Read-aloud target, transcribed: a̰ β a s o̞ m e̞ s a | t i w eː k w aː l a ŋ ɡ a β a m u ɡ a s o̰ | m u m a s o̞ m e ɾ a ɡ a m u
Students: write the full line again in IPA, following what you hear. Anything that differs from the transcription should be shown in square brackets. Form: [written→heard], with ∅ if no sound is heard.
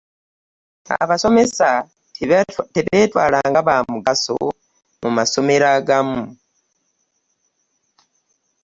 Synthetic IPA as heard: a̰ β a s o̞ m e̞ s a | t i [w→β] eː [k→t] w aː l a ŋ ɡ a β a m u ɡ a s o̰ | m u m a s o̞ m e ɾ a ɡ a m u